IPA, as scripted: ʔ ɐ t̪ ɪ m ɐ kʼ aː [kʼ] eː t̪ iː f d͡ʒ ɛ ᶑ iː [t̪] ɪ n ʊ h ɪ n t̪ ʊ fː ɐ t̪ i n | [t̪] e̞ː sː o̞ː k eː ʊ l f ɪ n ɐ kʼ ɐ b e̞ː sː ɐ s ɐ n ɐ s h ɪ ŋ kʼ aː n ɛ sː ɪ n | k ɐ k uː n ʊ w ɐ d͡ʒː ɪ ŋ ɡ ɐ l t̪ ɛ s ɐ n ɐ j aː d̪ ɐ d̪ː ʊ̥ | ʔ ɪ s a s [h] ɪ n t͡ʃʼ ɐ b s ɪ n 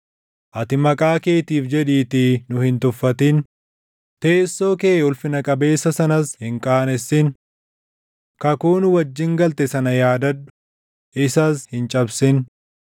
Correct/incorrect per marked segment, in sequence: incorrect: k, correct, correct, correct

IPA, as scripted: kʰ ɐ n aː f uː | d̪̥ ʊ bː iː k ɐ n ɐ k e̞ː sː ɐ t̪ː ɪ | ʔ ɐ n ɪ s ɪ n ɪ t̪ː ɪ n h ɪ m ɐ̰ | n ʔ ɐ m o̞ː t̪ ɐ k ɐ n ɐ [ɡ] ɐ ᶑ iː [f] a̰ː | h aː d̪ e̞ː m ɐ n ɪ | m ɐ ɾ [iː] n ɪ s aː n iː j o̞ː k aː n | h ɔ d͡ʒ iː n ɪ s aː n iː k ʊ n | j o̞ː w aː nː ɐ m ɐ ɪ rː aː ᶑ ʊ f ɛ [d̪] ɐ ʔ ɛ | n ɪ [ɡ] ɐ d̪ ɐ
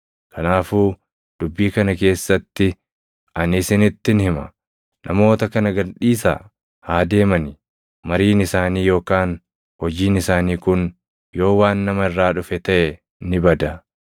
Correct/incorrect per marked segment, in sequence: correct, incorrect: s, correct, incorrect: t̪, incorrect: b

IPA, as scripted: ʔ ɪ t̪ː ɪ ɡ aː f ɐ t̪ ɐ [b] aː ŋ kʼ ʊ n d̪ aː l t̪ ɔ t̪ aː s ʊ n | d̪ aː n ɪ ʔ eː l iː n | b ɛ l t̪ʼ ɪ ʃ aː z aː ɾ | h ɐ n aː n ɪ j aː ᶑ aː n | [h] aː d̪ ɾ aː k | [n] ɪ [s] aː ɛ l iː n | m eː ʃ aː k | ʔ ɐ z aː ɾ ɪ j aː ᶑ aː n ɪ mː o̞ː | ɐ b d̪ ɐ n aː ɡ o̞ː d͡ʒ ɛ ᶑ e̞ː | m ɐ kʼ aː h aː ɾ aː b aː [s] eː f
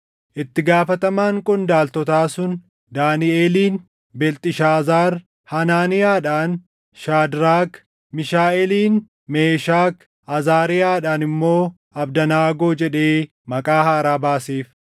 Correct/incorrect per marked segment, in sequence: incorrect: m, incorrect: ʃ, incorrect: m, incorrect: ʃ, correct

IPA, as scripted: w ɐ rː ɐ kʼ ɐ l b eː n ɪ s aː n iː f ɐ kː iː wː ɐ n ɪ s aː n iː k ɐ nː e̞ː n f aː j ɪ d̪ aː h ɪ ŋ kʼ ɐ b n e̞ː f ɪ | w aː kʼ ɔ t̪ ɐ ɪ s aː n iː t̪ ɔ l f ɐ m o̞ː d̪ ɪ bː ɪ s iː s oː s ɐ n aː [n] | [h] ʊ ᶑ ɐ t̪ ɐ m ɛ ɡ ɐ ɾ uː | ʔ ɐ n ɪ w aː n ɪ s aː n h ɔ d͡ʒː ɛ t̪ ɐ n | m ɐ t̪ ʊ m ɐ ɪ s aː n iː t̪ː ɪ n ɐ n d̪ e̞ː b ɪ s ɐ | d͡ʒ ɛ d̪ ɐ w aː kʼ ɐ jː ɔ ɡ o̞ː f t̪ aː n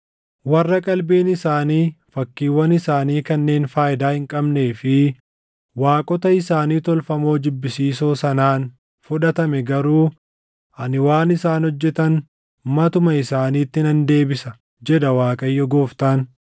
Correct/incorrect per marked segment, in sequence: correct, incorrect: f

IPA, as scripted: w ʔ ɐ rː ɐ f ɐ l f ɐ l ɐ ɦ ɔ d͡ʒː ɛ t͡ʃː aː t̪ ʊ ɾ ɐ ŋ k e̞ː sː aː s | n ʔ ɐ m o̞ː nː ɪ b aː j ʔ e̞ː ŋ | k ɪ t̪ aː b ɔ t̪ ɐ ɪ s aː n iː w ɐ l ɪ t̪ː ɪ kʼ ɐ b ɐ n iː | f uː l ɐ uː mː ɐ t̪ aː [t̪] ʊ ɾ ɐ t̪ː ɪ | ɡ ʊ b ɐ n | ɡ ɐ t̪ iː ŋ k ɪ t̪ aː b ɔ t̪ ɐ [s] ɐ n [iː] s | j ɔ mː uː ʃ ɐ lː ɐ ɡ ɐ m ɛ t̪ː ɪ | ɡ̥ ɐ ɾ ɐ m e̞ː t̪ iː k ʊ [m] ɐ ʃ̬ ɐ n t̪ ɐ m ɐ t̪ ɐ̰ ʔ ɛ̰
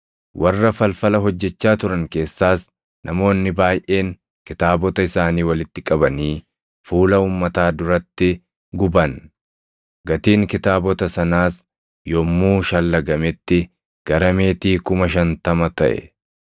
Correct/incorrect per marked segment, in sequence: incorrect: d̪, correct, incorrect: aː, correct

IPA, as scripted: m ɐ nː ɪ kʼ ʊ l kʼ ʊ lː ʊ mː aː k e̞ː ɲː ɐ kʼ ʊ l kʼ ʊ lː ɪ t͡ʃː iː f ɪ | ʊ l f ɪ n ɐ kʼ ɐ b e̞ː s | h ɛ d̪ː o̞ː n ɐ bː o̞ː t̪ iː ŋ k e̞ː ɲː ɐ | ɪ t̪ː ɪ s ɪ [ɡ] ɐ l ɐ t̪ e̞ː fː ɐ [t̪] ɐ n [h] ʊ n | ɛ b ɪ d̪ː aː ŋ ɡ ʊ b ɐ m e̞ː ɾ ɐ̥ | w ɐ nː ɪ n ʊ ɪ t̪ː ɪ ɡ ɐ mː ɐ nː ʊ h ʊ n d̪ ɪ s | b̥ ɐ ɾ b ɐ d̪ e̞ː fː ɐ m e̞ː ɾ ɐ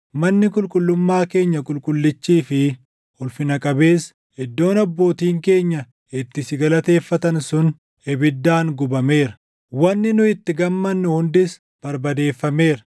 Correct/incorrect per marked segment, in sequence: correct, correct, incorrect: s

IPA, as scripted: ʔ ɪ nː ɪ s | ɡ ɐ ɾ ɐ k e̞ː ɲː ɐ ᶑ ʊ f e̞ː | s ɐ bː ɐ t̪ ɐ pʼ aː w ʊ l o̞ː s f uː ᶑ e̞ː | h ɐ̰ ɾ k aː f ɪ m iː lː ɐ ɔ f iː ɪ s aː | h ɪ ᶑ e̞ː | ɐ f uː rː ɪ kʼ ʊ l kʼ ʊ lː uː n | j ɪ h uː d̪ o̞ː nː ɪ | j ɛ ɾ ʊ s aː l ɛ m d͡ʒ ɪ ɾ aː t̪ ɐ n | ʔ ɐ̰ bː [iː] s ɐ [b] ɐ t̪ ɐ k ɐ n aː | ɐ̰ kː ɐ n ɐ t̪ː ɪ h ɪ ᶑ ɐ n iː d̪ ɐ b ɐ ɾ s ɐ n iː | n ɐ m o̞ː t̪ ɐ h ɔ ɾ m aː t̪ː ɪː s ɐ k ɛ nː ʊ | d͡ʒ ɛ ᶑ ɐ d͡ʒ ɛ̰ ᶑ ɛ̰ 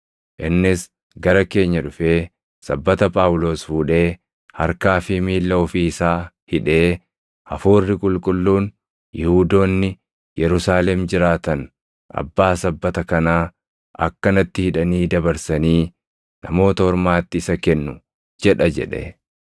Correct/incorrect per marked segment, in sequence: incorrect: aː, incorrect: bː

